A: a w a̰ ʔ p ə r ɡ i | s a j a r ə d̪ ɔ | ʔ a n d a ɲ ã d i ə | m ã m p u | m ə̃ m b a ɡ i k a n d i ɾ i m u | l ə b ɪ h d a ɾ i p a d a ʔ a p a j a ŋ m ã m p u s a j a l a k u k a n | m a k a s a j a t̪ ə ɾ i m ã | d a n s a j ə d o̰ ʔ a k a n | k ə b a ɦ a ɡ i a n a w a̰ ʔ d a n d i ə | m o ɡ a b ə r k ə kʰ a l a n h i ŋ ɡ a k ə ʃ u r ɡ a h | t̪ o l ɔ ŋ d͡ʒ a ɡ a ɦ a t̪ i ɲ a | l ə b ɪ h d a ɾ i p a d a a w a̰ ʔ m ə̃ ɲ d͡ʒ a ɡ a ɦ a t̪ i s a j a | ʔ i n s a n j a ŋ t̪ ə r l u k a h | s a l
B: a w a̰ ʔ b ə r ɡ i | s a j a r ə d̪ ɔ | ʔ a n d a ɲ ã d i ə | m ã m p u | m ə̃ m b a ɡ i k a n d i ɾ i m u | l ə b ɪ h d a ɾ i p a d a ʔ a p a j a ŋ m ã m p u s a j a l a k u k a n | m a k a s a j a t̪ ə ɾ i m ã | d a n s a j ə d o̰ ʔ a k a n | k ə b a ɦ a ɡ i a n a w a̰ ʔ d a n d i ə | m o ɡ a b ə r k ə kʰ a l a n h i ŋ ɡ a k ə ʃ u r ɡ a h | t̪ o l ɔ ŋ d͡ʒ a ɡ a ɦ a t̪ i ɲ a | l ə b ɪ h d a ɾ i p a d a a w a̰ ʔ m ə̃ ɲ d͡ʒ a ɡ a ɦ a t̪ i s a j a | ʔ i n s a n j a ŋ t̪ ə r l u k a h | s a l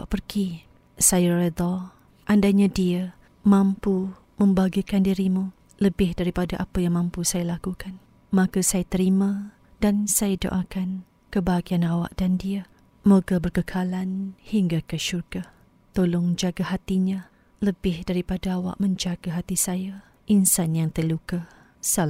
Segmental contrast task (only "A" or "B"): A